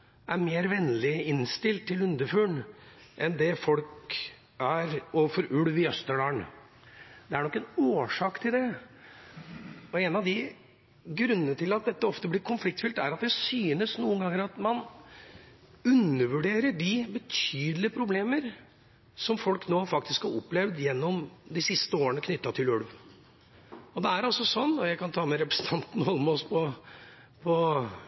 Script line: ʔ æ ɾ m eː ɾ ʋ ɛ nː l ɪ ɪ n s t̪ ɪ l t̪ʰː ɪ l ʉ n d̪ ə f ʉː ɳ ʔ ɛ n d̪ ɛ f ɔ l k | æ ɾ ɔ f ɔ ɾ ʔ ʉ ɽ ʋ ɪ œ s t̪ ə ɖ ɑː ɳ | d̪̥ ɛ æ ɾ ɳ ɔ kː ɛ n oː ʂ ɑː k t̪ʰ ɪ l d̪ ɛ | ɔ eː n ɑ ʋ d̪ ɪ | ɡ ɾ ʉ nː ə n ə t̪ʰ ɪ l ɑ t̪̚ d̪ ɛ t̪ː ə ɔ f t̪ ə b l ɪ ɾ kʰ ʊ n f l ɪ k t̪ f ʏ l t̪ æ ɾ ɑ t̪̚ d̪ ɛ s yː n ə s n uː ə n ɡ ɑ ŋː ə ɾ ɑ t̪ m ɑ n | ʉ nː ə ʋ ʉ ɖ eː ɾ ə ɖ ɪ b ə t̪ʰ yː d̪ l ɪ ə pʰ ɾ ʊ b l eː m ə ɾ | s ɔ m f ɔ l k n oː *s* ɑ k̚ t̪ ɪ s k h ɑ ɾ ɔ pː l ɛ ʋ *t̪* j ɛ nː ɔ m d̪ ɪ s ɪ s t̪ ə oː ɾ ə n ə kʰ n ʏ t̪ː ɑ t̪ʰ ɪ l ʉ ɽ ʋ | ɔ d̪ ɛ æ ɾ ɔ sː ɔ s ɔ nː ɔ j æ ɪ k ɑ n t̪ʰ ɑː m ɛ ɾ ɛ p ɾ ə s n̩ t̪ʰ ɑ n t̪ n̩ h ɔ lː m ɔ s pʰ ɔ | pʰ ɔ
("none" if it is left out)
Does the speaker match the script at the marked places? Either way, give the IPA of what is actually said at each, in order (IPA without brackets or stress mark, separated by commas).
f, d̪